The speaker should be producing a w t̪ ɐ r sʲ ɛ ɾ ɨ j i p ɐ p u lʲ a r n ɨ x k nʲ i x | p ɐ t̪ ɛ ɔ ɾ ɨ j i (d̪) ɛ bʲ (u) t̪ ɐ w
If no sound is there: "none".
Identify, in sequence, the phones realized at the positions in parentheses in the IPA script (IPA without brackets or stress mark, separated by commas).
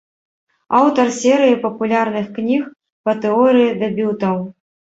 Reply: d̪, u